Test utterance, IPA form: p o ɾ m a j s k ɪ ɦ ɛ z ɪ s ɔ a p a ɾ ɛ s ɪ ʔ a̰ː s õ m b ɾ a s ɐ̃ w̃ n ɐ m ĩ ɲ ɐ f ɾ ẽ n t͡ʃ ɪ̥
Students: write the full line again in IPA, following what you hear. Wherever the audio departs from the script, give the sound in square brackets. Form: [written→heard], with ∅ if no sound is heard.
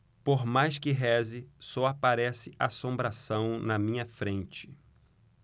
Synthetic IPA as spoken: p o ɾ m a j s k ɪ ɦ ɛ z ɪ s ɔ a p a ɾ ɛ s ɪ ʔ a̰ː s õ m b ɾ a s ɐ̃ w̃ n ɐ m ĩ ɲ ɐ f ɾ ẽ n t͡ʃ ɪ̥